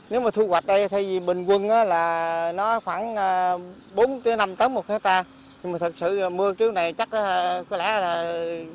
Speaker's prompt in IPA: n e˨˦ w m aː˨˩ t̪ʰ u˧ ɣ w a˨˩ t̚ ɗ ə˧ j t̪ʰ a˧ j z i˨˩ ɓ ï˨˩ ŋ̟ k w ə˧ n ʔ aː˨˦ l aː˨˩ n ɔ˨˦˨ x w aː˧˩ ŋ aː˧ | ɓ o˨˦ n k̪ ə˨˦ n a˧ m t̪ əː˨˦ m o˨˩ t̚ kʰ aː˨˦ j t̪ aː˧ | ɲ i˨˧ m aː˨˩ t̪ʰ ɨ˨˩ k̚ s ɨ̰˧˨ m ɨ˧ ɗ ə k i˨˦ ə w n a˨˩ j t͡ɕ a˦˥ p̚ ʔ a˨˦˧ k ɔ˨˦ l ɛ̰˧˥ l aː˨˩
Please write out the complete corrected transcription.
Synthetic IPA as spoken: n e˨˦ w m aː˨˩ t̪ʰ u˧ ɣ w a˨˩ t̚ ɗ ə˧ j t̪ʰ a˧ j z i˨˩ ɓ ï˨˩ ŋ̟ k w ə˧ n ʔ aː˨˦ l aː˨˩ n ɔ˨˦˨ x w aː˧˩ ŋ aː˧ | ɓ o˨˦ n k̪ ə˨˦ n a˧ m t̪ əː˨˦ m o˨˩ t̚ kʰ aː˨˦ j t̪ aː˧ | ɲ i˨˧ m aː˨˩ t̪ʰ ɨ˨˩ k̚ s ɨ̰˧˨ m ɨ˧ ə k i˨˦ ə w n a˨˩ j t͡ɕ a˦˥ k̚ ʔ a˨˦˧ k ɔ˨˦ l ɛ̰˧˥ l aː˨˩

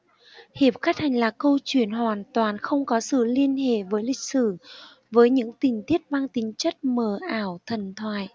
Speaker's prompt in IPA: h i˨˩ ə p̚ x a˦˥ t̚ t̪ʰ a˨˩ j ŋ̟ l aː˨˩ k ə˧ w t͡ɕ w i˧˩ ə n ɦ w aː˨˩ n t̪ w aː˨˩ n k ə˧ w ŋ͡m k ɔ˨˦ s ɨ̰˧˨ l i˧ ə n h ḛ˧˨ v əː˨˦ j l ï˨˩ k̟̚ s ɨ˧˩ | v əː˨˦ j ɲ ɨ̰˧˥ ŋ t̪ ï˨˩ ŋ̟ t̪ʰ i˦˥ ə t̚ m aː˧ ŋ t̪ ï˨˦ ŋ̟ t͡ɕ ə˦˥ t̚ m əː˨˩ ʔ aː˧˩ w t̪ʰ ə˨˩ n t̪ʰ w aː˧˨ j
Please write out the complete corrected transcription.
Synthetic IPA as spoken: h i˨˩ ə p̚ x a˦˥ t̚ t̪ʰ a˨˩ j ŋ̟ l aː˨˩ k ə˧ w t͡ɕ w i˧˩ ə n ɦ w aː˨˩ n t̪ w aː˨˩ n x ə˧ w ŋ͡m k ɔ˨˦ s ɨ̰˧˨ l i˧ ə n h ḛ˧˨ v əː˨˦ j l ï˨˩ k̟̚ s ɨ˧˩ | v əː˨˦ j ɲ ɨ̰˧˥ ŋ t̪ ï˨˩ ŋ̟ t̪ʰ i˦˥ ə t̚ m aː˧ ŋ t̪ ï˨˦ ŋ̟ t͡ɕ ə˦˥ t̚ m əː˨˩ ʔ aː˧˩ w t̪ʰ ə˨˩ n t̪ʰ w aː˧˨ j

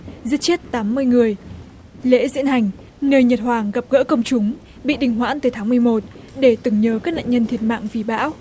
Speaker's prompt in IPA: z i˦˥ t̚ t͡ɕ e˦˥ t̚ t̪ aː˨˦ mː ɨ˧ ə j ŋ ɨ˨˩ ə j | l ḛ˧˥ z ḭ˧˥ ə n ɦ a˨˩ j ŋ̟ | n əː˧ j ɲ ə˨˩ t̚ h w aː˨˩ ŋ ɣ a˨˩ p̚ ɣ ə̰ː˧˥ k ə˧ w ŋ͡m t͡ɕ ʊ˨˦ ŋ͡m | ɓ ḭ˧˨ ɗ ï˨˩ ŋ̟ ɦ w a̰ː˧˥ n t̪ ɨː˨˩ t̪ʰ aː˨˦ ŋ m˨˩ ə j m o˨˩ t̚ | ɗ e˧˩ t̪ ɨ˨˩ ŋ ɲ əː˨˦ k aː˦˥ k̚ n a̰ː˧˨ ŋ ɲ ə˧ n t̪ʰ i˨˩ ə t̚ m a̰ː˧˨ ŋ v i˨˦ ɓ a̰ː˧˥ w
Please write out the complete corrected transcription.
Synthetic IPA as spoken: z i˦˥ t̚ t͡ɕ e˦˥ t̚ t̪ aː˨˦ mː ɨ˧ ə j ŋ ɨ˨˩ ə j | l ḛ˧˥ z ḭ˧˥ ə n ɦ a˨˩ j ŋ̟ | n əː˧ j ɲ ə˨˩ t̚ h w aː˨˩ ŋ ɣ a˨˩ p̚ ɣ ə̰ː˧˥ k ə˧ w ŋ͡m t͡ɕ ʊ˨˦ ŋ͡m | ɓ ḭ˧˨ ɗ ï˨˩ ŋ̟ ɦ w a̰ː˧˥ n t̪ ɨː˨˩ t̪ʰ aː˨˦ ŋ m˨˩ ə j m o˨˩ t̚ | ɗ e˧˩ t̪ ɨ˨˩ ŋ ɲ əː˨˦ k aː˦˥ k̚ n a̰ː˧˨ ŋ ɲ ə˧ n t̪ʰ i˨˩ ə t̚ m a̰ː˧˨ ŋ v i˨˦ ɓ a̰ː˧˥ w

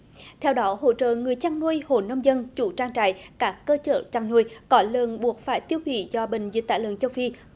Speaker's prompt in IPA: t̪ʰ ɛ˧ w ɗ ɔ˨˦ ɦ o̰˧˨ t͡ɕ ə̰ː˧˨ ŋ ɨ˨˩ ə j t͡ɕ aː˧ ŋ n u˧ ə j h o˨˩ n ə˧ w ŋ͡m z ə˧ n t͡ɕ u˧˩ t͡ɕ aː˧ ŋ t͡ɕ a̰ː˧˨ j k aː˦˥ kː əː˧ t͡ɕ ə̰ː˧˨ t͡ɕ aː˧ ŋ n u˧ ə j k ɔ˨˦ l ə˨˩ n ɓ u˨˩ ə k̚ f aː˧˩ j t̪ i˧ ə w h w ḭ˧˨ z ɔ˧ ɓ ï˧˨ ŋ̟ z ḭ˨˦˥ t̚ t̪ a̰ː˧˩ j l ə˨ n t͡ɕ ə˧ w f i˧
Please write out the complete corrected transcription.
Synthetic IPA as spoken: t̪ʰ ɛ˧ w ɗ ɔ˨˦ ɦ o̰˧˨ t͡ɕ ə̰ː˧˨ ŋ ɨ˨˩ ə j t͡ɕ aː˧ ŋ n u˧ ə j h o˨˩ n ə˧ w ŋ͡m z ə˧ n t͡ɕ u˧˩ t͡ɕ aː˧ ŋ t͡ɕ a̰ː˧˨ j k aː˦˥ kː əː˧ t͡ɕ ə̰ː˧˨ t͡ɕ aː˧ ŋ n u˧ ə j k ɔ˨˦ l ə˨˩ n ɓ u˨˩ ə k̚ f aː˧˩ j t̪ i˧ ə w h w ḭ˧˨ z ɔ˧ ɓ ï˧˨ ŋ̟ z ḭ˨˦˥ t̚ t̪ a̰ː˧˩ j l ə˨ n t͡ɕ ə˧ w f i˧

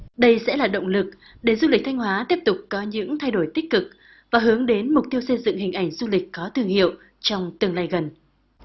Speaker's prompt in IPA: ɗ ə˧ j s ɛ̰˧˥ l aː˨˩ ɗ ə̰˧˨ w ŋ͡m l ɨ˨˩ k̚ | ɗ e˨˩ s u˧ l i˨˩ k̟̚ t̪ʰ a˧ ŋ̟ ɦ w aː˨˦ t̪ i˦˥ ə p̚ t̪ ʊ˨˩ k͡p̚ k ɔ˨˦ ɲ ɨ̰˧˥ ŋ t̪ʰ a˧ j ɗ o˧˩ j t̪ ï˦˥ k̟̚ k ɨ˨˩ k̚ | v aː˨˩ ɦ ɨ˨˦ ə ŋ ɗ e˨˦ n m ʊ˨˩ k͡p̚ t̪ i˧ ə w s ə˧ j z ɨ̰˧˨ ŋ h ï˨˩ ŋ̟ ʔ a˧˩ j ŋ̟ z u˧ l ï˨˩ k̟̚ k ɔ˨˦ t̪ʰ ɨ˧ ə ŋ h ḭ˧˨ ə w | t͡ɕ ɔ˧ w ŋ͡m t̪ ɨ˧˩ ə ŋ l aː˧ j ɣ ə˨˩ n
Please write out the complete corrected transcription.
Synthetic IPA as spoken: ɗ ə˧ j s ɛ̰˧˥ l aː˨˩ ɗ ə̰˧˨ w ŋ͡m l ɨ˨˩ k̚ | ɗ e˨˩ z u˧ l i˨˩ k̟̚ t̪ʰ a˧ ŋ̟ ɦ w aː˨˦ t̪ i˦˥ ə p̚ t̪ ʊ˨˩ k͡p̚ k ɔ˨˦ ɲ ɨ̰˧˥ ŋ t̪ʰ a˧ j ɗ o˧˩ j t̪ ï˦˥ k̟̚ k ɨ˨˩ k̚ | v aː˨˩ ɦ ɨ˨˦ ə ŋ ɗ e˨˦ n m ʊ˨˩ k͡p̚ t̪ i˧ ə w s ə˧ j z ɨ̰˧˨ ŋ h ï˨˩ ŋ̟ ʔ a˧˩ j ŋ̟ z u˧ l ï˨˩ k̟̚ k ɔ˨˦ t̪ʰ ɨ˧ ə ŋ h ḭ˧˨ ə w | t͡ɕ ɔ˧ w ŋ͡m t̪ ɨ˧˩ ə ŋ l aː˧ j ɣ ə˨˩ n

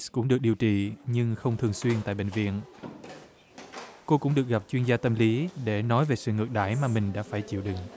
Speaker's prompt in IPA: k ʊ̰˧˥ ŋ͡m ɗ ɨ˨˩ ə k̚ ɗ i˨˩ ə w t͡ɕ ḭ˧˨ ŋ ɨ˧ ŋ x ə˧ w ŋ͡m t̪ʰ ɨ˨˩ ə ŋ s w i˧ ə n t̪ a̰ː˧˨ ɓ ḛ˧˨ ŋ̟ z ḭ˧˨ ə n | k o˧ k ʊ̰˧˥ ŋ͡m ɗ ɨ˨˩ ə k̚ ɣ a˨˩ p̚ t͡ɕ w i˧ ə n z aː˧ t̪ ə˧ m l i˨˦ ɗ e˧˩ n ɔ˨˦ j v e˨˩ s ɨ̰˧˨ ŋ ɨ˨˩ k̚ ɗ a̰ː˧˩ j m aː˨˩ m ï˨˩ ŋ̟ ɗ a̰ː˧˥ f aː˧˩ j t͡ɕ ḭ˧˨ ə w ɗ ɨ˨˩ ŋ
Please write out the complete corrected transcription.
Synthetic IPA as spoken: k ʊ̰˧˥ ŋ͡m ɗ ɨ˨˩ ə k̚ ɗ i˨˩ ə w t͡ɕ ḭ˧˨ ɲ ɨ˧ ŋ x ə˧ w ŋ͡m t̪ʰ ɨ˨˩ ə ŋ s w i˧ ə n t̪ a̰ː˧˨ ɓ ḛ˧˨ ŋ̟ v ḭ˧˨ ə n | k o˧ k ʊ̰˧˥ ŋ͡m ɗ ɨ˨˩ ə k̚ ɣ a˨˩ p̚ t͡ɕ w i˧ ə n z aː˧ t̪ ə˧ m l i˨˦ ɗ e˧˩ n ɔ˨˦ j v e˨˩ s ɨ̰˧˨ ŋ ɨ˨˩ k̚ ɗ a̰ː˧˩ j m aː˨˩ m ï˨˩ ŋ̟ ɗ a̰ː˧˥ f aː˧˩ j t͡ɕ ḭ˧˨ ə w ɗ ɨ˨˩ ŋ

